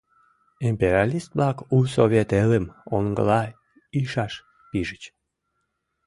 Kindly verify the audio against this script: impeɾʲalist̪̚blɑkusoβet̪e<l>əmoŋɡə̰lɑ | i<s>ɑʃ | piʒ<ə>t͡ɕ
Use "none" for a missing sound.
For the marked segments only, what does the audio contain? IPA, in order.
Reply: l, ʃ, ə

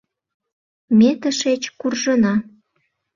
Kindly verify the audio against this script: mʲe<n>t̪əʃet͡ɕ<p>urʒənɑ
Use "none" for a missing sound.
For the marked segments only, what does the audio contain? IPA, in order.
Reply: none, k

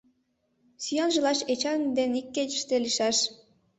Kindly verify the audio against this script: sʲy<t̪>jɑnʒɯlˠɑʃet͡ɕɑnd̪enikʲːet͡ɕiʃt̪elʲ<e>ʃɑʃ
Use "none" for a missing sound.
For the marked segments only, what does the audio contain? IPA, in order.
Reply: none, i

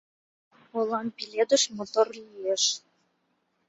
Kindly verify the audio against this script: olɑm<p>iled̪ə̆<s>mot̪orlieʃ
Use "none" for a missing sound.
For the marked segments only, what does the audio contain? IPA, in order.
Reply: p, ʃ

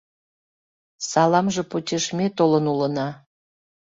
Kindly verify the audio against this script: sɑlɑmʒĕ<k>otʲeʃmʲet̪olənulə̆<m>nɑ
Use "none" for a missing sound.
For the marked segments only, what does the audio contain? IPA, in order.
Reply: p, none

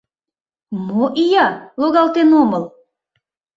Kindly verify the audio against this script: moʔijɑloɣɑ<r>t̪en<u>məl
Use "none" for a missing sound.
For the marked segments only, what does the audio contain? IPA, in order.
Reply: l, o

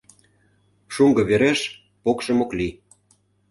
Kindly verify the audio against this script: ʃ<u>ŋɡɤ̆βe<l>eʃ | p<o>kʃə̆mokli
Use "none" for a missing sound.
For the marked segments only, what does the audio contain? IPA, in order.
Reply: u, ɾ, o

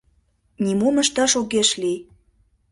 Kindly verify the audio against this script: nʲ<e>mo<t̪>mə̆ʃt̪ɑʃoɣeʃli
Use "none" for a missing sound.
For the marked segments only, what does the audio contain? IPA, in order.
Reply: i, none

